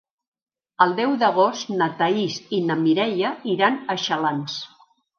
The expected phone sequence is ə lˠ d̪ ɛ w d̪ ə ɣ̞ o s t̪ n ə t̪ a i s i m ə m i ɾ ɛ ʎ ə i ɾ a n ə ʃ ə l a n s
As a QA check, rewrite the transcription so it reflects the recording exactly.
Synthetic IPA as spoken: ə lˠ d̪ ɛ w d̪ ə ɣ̞ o s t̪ n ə t̪ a i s i n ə m i ɾ ɛ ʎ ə i ɾ a n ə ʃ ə l a n s